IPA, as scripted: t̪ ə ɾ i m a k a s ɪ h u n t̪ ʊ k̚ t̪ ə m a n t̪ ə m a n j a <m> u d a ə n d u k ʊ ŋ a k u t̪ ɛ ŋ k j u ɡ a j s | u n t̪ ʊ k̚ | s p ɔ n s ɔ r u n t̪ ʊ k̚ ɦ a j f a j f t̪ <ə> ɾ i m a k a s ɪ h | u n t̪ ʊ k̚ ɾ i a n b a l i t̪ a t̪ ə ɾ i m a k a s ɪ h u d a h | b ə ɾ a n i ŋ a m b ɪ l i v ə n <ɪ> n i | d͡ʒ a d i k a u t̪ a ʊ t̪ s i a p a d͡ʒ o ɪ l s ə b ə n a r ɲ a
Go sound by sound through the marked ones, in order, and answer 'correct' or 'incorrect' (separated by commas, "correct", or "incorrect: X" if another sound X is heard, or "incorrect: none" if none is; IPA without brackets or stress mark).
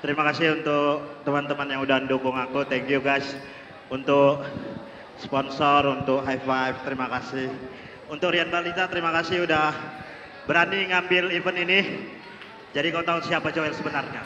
incorrect: ŋ, correct, incorrect: i